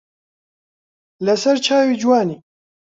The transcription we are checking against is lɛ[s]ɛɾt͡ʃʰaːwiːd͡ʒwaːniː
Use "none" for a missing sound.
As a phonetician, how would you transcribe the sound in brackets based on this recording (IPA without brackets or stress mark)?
s